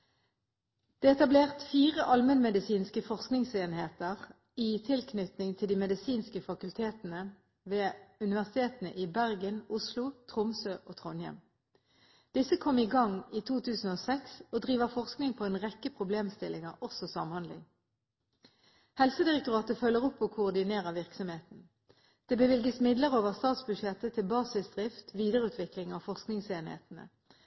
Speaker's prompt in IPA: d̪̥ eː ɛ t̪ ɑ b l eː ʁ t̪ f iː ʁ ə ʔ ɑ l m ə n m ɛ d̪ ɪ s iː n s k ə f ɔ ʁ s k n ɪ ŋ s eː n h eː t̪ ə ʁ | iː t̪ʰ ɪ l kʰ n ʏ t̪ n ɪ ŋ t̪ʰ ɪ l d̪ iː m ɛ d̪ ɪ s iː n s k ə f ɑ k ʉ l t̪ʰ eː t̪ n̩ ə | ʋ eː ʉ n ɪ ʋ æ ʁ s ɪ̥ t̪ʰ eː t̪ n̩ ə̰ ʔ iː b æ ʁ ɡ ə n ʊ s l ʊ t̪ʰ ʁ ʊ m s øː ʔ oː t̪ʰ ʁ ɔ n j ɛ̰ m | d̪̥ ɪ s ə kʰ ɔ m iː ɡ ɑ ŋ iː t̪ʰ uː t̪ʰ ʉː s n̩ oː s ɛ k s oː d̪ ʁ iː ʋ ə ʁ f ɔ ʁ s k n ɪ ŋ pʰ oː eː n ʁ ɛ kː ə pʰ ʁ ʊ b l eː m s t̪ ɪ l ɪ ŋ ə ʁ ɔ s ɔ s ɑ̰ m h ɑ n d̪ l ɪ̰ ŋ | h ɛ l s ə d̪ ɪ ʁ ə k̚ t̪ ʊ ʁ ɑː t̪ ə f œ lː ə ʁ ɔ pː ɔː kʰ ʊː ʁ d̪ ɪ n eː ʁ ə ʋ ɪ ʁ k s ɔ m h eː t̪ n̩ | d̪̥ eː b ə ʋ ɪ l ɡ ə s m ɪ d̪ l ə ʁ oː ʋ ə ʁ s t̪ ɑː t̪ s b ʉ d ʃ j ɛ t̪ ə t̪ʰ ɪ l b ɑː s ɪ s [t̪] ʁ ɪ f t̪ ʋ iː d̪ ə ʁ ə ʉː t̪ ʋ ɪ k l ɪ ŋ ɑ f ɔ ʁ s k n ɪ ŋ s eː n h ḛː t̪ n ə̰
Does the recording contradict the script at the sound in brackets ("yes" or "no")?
yes